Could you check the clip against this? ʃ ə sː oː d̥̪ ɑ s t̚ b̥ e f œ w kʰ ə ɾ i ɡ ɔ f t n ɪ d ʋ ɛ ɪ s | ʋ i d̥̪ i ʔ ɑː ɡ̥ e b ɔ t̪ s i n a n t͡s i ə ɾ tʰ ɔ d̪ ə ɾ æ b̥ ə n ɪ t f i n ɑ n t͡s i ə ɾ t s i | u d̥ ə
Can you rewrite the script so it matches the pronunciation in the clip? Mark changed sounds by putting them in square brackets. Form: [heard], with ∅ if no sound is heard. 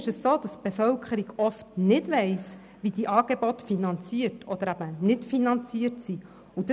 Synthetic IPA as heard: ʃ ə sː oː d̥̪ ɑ s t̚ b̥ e f œ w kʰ ə ɾ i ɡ ɔ f t n ɪ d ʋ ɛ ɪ s | ʋ i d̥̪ i ʔ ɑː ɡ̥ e b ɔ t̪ [f] i n [ɑ] n t͡s i ə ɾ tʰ ɔ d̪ ə ɾ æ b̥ ə n ɪ t f i n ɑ n t͡s i ə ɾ t s i | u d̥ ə

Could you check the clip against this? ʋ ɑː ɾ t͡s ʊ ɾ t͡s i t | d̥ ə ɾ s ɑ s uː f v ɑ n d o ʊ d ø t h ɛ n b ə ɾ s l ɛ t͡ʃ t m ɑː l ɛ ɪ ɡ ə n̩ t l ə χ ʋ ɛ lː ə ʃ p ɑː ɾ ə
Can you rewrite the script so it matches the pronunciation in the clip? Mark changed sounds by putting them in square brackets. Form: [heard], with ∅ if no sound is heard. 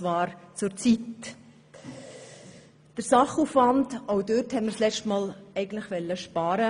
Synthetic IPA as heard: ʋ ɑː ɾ t͡s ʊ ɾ t͡s i t | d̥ ə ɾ s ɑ [χ] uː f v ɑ n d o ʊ d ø t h ɛ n [m] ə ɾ s l ɛ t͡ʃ t m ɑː l ɛ ɪ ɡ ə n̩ t l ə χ ʋ ɛ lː ə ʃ p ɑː ɾ ə

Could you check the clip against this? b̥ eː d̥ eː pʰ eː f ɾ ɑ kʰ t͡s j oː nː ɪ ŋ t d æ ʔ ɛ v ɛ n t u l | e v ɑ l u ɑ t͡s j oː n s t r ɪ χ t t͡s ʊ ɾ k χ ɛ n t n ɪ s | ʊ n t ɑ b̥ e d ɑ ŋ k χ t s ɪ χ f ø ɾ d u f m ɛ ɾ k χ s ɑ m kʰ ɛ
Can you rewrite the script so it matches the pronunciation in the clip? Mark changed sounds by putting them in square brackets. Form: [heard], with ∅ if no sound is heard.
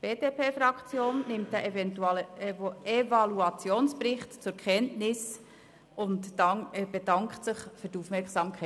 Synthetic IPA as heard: b̥ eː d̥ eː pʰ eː f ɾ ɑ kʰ t͡s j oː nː ɪ [m] t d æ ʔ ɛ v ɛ n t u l | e v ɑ l u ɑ t͡s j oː n s [p] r ɪ χ t t͡s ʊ ɾ k χ ɛ n t n ɪ s | ʊ n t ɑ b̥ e d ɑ ŋ k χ t s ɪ χ f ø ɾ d u f m ɛ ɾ k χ s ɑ m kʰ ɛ

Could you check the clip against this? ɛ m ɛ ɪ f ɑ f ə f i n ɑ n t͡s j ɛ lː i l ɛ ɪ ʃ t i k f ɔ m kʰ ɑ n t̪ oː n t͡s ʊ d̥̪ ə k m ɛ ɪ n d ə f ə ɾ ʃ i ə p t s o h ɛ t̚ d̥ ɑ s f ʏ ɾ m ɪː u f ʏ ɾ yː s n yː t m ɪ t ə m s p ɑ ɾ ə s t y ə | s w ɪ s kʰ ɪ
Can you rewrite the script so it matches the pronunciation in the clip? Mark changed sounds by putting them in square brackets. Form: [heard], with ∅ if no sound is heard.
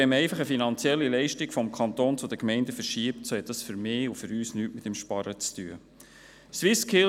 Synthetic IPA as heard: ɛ m ɛ ɪ f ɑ [χ] ə f i n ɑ n t͡s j ɛ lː i l ɛ ɪ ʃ t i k f ɔ m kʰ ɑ n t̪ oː n t͡s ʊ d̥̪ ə k m ɛ ɪ n d ə f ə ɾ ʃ i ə p t s o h ɛ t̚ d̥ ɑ s f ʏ ɾ m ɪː u f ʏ ɾ yː s n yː t m ɪ t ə m [ʃ] p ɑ ɾ ə [t͡s] t y ə | s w ɪ s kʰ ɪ

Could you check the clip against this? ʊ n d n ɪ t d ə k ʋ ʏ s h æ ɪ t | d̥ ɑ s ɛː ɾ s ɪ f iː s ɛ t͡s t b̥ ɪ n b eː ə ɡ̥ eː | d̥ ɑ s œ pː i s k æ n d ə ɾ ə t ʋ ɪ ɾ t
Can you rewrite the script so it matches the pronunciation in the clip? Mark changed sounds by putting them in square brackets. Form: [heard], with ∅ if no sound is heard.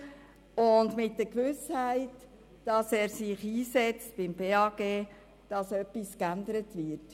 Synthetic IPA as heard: ʊ n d [m] ɪ t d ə k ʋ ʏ s h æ ɪ t | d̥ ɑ s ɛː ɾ s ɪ [χ] iː s ɛ t͡s t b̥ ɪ [m] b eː [ɑ] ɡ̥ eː | d̥ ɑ s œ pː i s k æ n d ə ɾ ə t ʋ ɪ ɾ t

